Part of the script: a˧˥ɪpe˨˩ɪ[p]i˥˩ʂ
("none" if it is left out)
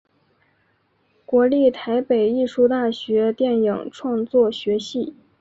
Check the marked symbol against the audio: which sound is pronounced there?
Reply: none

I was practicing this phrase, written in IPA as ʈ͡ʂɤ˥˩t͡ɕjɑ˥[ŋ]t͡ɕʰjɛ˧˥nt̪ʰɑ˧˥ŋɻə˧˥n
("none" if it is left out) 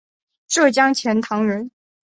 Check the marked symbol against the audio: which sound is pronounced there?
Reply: ŋ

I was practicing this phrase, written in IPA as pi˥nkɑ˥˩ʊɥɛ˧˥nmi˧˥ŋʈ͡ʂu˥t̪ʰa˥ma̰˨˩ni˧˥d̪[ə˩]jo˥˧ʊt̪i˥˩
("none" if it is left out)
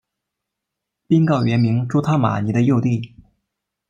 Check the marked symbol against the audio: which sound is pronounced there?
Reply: ə˧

